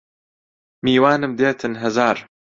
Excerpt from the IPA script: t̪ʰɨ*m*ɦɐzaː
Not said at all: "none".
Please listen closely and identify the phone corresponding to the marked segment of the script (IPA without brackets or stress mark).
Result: n